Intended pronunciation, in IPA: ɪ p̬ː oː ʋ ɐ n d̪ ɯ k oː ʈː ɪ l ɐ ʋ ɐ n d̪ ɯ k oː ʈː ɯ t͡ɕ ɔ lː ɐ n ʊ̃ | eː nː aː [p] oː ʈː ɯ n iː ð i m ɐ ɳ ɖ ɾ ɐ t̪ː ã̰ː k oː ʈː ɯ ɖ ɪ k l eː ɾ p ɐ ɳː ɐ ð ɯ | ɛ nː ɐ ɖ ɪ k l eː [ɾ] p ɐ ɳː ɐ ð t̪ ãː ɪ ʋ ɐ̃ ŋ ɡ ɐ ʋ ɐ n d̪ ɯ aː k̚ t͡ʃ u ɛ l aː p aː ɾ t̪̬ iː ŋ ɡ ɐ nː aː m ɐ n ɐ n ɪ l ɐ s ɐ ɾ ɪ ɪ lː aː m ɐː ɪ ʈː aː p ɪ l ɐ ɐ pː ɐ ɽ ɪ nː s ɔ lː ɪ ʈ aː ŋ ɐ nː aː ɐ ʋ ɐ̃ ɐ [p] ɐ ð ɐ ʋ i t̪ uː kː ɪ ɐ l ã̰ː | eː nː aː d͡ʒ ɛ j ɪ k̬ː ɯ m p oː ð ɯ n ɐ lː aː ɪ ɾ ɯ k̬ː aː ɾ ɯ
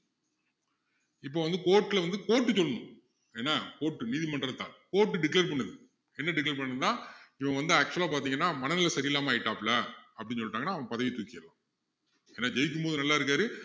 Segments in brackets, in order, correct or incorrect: incorrect: k, correct, correct

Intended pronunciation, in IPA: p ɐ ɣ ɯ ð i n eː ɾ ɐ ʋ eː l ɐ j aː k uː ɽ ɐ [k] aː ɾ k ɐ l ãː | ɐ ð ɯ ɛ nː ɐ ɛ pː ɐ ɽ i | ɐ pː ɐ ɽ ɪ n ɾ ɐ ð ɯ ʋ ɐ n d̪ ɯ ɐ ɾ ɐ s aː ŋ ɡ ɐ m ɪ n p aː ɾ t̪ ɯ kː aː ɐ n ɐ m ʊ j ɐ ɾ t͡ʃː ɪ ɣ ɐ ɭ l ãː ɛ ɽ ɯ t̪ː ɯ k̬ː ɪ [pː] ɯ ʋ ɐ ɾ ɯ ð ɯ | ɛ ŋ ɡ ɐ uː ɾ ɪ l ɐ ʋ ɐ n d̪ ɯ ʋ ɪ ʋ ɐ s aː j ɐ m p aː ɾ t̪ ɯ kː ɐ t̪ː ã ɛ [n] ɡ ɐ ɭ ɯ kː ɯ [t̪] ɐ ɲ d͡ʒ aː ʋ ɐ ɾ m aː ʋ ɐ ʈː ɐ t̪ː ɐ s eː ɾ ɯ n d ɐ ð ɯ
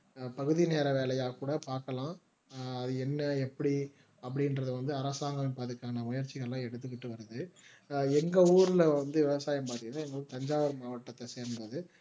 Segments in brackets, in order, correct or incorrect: incorrect: p, incorrect: ʈː, incorrect: ŋ, correct

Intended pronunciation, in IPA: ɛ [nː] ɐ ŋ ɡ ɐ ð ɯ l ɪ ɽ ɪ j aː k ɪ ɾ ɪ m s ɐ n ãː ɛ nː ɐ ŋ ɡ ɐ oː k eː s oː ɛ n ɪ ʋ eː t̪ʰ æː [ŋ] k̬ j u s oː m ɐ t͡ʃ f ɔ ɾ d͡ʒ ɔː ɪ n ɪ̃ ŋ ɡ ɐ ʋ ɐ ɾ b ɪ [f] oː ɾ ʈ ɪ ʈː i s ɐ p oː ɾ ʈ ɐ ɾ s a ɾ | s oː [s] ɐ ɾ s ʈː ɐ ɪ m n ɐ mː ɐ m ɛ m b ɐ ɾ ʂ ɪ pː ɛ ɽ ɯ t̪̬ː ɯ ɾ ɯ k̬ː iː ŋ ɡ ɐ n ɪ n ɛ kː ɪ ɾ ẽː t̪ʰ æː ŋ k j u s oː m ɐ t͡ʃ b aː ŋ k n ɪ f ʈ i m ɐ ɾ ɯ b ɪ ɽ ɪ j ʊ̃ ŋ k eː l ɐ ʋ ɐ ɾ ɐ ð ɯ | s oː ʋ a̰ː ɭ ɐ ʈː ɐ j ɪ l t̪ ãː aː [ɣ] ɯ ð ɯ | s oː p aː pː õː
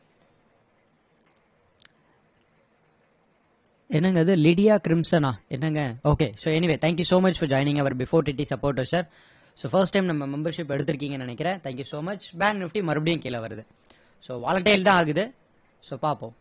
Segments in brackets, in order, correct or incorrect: correct, correct, correct, incorrect: f, correct

